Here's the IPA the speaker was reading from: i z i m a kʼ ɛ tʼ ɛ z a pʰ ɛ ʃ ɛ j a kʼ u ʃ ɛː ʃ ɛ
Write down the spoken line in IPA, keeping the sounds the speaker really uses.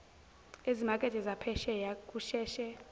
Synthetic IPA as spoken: e z i m a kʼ ɛ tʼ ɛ z a pʰ ɛ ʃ ɛ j a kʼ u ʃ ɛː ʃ ɛ